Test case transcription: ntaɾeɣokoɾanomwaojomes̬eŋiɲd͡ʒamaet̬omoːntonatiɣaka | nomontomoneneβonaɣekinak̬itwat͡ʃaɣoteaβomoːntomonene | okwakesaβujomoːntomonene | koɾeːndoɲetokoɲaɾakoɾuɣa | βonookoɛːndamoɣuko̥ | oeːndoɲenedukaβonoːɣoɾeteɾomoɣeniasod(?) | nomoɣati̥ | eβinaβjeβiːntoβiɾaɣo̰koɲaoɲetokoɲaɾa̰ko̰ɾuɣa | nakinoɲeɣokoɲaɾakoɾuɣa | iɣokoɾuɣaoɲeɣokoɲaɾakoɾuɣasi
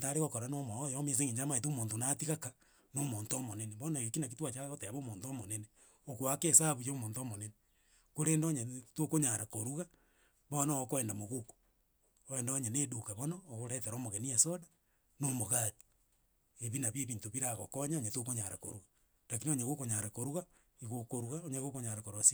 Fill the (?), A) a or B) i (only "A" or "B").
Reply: A